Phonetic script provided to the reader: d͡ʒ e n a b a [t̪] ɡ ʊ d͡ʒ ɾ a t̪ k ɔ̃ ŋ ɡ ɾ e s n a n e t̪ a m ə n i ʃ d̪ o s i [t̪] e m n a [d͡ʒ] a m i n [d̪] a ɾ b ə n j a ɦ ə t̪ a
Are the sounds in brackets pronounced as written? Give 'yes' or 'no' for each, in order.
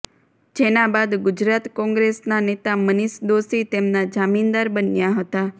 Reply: no, yes, yes, yes

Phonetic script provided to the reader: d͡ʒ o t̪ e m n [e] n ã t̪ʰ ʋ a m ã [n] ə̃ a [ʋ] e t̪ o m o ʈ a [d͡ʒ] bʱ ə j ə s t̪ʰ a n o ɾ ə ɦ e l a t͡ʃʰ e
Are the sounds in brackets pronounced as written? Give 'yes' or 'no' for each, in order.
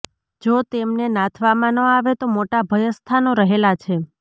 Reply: yes, yes, yes, no

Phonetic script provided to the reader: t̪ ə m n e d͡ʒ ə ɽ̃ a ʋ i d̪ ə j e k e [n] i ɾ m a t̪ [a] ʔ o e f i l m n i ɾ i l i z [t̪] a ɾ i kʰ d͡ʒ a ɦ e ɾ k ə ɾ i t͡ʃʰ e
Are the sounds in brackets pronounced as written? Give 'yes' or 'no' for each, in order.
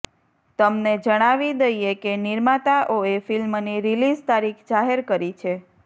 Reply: yes, yes, yes

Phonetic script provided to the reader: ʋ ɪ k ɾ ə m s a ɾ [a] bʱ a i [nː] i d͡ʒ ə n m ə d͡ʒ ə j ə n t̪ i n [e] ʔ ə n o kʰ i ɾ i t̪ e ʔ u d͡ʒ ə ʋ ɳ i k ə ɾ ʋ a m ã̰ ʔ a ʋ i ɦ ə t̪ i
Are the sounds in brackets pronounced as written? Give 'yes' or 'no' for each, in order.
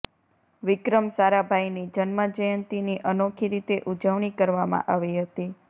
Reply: yes, no, no

